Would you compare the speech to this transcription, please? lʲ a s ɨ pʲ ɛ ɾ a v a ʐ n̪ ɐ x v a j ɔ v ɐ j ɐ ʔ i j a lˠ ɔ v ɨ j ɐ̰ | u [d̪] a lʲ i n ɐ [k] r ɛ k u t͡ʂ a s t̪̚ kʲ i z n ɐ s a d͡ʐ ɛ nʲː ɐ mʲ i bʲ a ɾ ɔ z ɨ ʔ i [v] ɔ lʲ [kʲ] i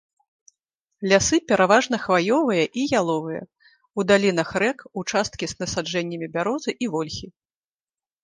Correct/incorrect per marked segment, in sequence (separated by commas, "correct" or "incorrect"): correct, incorrect, correct, incorrect